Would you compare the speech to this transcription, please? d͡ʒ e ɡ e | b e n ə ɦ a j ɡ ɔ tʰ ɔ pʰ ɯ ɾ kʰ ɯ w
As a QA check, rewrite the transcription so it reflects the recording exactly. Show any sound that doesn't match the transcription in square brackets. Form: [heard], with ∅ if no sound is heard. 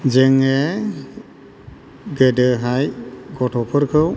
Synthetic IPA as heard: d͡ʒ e [ŋ] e | [ɡ] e [d] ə ɦ a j ɡ ɔ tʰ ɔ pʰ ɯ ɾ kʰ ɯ w